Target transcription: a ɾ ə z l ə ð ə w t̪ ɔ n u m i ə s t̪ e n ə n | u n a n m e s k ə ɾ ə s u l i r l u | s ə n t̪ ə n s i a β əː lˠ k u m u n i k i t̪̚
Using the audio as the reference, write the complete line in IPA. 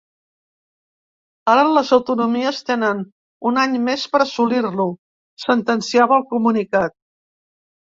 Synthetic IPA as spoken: a ɾ ə l ə z ə w t̪ u n u m i ə s t̪ e n ə n | u n a ɲ m e s p ə ɾ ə s u l i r l u | s ə n t̪ ə n s i a β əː lˠ k u m u n i k a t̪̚